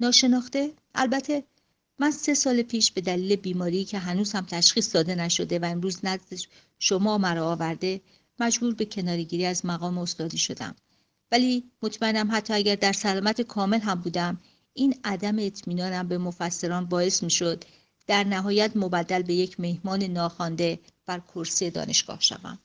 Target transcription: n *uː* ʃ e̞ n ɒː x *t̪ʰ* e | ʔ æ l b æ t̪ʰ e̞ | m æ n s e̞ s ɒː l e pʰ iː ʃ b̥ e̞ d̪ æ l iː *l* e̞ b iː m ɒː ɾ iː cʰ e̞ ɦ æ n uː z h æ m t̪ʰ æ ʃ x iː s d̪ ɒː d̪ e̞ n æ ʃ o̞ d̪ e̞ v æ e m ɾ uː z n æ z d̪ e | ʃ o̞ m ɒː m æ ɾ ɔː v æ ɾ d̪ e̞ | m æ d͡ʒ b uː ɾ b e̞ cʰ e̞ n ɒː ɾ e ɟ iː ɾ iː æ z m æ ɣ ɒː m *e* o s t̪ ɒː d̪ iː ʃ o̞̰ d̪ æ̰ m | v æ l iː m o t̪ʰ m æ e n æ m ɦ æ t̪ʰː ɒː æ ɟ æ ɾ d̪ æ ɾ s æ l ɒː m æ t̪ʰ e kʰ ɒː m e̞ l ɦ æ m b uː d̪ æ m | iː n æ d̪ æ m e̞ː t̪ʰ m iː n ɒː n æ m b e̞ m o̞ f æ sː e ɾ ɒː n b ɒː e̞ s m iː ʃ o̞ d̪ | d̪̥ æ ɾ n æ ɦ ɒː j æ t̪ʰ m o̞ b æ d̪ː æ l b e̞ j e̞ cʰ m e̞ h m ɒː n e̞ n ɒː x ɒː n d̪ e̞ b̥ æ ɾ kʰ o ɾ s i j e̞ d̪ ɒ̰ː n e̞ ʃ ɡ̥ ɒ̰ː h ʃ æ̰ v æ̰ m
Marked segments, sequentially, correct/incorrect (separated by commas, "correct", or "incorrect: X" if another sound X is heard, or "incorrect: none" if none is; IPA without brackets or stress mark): incorrect: ɒː, incorrect: t̪, correct, correct